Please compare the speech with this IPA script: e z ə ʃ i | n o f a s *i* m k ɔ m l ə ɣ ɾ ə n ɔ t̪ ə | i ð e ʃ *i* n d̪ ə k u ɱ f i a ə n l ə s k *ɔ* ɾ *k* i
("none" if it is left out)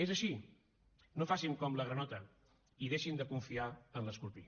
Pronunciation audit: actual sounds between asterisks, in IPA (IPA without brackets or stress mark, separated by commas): i, i, u, p